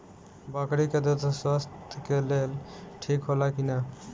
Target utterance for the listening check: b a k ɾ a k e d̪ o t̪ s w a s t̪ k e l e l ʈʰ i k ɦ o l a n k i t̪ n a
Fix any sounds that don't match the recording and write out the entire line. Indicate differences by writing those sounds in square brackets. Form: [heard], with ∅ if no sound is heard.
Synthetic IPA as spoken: b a k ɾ [i] k e d̪ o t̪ s w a s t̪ k e l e l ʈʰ i k ɦ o l a [∅] k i [∅] n a